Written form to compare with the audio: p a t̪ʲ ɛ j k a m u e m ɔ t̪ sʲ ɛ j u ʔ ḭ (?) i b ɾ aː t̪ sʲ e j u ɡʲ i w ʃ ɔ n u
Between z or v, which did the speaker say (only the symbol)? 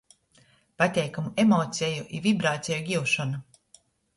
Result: v